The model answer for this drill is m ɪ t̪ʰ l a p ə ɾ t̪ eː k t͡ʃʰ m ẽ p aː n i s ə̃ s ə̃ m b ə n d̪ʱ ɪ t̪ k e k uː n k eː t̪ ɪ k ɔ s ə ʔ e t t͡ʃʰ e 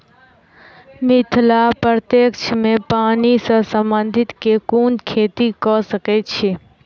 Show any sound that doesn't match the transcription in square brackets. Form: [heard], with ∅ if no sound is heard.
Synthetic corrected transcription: m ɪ t̪ʰ l a p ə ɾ t̪ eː k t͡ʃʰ m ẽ p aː n i s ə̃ s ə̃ m b ə n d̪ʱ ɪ t̪ k e k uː n [kʰ] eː t̪ [i] k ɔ s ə [k] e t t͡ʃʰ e